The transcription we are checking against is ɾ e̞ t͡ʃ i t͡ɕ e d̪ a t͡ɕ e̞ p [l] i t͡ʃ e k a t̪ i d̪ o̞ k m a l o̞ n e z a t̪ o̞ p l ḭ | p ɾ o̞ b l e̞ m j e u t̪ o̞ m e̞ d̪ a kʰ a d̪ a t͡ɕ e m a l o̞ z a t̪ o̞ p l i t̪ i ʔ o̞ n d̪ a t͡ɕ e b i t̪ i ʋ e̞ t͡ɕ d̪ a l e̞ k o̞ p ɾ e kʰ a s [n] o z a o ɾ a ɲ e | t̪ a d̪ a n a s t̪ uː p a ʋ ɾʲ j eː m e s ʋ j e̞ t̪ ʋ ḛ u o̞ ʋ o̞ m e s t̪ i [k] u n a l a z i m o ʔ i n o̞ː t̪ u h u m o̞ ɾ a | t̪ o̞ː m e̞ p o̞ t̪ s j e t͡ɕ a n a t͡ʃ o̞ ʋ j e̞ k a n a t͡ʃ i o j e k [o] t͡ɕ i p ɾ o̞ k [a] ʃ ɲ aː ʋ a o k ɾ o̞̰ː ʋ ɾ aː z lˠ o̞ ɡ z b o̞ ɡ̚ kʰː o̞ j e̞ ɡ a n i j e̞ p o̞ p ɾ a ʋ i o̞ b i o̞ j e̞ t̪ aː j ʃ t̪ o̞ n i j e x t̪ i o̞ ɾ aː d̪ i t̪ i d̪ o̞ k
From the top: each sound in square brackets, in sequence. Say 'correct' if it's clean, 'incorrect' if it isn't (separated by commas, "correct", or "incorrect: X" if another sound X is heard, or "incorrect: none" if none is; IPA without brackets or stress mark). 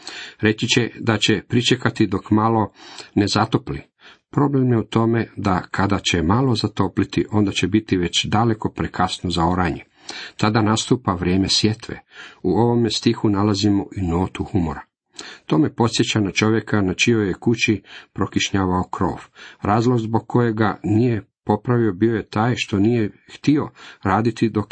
incorrect: ɾ, correct, incorrect: x, incorrect: u, incorrect: i